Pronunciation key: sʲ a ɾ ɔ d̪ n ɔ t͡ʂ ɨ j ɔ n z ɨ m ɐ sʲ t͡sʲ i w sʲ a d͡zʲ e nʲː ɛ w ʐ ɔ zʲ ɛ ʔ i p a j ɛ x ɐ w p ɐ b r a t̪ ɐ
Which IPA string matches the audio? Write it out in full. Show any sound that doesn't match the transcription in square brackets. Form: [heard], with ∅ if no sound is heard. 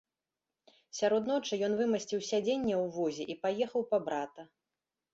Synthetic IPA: sʲ a ɾ ɔ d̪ n ɔ t͡ʂ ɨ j ɔ n [v] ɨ m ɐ sʲ t͡sʲ i w sʲ a d͡zʲ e nʲː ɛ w [v] ɔ zʲ ɛ ʔ i p a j ɛ x ɐ w p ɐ b [ɾ] a t̪ ɐ